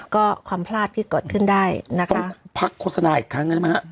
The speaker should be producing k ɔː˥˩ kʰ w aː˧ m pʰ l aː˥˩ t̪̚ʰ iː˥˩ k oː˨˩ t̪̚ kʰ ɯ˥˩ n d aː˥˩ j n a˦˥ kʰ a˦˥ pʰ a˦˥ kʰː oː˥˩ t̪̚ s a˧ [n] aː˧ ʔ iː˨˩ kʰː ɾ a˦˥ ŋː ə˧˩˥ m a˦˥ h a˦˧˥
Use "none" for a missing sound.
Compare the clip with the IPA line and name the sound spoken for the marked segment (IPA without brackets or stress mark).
n